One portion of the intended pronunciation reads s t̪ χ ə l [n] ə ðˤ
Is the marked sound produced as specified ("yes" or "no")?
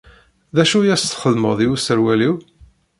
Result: no